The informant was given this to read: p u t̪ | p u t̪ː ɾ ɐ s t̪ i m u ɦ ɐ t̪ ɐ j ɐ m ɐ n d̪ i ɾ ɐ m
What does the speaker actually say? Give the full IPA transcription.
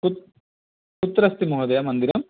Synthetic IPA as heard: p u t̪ | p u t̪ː ɾ ɐ s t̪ i m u ɦ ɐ d̪ ɐ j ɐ m ɐ n d̪ i ɾ ɐ m